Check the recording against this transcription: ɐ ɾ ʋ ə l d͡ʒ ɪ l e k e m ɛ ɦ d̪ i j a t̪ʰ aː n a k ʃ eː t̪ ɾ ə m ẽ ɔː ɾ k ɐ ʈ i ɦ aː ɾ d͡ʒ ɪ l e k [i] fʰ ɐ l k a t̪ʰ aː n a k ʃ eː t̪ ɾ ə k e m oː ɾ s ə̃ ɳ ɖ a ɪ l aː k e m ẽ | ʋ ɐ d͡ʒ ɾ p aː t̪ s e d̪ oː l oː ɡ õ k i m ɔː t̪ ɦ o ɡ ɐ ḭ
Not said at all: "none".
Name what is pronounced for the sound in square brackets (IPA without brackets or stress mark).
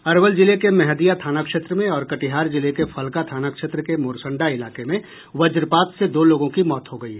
e